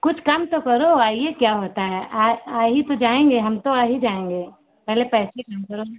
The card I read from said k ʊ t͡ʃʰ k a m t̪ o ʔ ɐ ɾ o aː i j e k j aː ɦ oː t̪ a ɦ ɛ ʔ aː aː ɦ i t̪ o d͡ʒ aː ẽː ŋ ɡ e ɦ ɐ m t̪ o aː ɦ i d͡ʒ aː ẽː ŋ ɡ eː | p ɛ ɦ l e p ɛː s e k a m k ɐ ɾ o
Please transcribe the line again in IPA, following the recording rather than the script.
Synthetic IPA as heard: k ʊ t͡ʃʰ k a m t̪ o k ɐ ɾ o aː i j e k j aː ɦ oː t̪ a ɦ ɛ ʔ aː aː ɦ i t̪ o d͡ʒ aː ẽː ŋ ɡ e ɦ ɐ m t̪ o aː ɦ i d͡ʒ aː ẽː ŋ ɡ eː | p ɛ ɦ l e p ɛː s e k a m k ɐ ɾ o